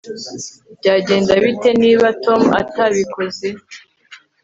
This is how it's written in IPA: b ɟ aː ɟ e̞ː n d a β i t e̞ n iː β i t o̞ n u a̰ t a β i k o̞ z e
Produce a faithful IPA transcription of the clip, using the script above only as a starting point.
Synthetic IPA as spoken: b ɟ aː ɟ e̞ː n d a β i t e̞ n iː β a t o̞ m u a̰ t a β i k o̞ z e